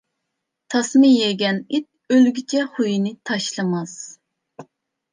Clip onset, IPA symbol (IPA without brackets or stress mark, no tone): t̪ʰ